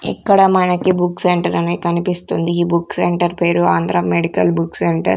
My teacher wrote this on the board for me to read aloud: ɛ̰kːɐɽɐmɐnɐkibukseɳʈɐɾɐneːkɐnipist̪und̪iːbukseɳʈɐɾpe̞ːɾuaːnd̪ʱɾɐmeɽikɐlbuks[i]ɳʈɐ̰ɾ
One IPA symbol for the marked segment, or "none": e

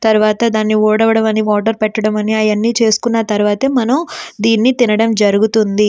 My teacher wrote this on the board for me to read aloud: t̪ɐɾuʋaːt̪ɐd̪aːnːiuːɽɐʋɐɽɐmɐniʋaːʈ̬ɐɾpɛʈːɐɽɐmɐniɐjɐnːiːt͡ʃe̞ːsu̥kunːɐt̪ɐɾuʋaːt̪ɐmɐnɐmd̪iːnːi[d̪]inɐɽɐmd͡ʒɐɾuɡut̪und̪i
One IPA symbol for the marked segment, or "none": t̪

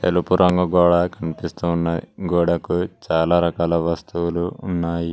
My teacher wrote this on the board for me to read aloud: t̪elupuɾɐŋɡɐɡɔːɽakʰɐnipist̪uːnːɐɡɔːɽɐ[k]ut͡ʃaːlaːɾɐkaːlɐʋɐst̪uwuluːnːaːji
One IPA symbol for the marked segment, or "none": k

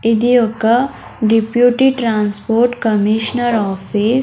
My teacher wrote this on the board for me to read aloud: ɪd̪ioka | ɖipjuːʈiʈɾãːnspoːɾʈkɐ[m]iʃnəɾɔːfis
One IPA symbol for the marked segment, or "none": m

